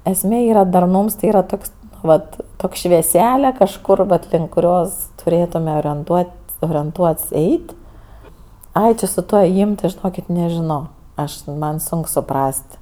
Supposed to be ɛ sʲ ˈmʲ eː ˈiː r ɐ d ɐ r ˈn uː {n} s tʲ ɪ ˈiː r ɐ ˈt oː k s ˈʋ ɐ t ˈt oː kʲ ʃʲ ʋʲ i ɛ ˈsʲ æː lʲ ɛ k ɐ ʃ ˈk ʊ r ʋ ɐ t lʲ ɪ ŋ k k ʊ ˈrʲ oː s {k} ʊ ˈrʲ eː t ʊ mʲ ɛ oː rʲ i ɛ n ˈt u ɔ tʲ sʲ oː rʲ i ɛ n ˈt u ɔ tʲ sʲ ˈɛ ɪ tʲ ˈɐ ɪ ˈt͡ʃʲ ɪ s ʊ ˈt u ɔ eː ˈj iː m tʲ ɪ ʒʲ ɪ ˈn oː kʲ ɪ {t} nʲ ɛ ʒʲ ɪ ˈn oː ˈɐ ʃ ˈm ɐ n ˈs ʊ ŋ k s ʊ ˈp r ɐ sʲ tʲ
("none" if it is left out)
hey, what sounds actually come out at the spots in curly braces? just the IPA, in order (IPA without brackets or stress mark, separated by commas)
m, t, t